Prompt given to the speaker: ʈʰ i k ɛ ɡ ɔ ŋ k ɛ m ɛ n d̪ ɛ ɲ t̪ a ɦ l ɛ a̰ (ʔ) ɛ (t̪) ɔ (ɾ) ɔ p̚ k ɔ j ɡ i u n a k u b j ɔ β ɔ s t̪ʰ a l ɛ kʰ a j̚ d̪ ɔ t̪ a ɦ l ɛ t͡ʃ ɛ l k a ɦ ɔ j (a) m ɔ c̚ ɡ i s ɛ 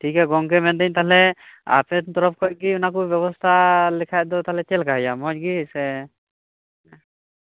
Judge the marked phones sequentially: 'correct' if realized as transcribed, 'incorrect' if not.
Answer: incorrect: p, correct, correct, correct

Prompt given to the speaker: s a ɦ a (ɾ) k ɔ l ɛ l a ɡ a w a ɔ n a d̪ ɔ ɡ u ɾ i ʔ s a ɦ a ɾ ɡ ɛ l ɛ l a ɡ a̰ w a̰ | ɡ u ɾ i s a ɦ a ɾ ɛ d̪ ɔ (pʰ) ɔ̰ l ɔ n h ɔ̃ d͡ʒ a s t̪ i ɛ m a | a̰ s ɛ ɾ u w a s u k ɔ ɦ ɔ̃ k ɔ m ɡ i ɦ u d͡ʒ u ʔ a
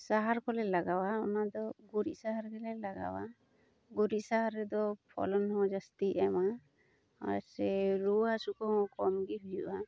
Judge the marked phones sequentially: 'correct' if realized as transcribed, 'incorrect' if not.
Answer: correct, correct

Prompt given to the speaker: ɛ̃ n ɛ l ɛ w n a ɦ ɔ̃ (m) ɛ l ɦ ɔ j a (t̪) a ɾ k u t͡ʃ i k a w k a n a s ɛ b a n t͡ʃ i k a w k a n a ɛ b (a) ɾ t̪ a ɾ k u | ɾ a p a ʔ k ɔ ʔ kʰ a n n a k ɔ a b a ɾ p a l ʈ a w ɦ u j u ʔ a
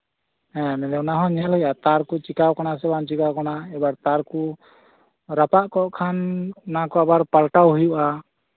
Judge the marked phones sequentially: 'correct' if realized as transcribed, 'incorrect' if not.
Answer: incorrect: ɲ, correct, correct

